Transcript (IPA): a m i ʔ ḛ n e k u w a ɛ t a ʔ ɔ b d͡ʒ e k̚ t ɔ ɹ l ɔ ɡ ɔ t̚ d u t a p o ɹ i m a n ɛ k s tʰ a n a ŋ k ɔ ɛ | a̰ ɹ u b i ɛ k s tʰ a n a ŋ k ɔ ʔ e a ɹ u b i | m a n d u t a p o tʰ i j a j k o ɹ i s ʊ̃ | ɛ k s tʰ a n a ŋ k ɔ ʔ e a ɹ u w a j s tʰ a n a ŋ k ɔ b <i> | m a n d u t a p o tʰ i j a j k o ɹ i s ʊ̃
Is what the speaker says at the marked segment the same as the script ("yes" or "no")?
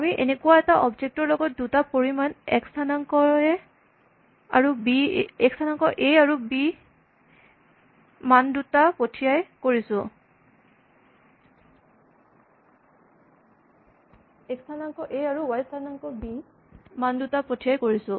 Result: yes